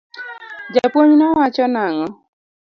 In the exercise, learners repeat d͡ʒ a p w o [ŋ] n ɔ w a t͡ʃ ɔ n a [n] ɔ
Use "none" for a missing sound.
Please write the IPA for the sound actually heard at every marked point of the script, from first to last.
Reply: ɲ, ŋ

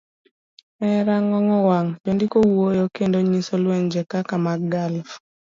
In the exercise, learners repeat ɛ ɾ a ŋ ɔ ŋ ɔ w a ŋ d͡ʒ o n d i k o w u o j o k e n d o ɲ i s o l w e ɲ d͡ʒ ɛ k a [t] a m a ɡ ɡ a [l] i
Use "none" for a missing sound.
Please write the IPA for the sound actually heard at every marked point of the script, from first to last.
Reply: k, l

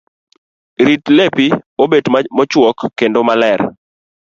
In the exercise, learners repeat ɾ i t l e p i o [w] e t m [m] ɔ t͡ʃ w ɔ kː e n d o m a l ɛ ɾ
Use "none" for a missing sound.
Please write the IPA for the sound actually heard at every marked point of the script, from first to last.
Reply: b, m

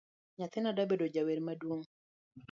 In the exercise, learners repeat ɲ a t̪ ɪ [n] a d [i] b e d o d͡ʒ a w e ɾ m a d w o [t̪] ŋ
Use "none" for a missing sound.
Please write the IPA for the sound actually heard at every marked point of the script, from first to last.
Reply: n, a, none

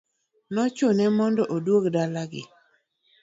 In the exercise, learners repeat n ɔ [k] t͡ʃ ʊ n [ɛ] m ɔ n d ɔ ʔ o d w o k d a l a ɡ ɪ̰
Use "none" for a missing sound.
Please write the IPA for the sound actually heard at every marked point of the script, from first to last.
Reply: none, ɛ

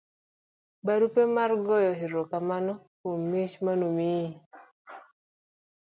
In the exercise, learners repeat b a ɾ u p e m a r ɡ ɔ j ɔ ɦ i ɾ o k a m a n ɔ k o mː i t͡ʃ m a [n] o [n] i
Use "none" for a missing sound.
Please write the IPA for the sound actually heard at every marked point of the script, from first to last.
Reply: n, m

